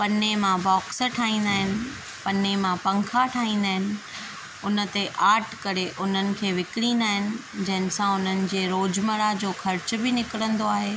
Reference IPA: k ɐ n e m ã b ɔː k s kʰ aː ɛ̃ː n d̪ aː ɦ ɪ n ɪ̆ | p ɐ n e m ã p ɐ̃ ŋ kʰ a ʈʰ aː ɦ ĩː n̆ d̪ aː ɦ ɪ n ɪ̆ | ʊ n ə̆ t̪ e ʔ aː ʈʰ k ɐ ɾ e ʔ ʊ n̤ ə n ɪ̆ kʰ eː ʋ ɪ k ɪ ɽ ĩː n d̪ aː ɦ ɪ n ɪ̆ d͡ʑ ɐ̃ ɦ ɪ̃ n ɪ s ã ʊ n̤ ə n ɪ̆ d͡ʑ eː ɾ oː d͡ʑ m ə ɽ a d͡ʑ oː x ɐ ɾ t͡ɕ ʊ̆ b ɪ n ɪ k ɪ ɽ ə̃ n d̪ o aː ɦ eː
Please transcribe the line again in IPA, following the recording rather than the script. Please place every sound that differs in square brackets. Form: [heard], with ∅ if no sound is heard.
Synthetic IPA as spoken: [p] ɐ n e m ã b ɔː k s [ʈʰ] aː [ĩː] n d̪ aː ɦ ɪ n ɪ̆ | p ɐ n e m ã p ɐ̃ ŋ kʰ a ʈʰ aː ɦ ĩː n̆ d̪ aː ɦ ɪ n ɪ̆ | ʊ n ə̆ t̪ e ʔ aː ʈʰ k ɐ ɾ e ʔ ʊ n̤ ə n ɪ̆ kʰ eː ʋ ɪ k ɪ ɽ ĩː n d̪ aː ɦ ɪ n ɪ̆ d͡ʑ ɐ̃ ɦ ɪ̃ n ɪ s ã ʊ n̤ ə n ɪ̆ d͡ʑ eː ɾ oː d͡ʑ m ə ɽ a d͡ʑ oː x ɐ ɾ t͡ɕ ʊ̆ b ɪ n ɪ k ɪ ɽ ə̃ n d̪ o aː ɦ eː